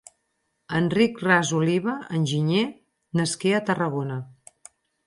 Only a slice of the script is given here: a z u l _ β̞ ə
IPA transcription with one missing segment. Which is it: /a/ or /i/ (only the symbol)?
i